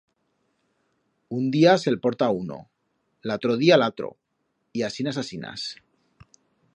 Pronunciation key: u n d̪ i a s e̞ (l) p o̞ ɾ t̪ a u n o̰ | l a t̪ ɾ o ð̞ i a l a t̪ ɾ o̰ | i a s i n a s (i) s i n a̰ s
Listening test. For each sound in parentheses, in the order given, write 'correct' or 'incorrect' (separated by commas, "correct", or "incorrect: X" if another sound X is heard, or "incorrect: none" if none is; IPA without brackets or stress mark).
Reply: correct, incorrect: a